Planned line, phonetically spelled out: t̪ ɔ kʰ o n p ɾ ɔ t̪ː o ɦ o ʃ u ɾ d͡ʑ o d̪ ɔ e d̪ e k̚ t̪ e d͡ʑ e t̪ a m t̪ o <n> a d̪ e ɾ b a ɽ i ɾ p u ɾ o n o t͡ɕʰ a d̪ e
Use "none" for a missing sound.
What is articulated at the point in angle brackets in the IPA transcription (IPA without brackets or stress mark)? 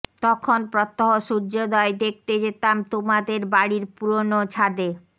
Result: m